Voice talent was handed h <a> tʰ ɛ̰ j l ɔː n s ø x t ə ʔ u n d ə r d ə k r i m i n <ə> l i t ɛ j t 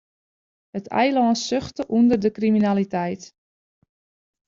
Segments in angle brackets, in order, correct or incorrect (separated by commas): incorrect, incorrect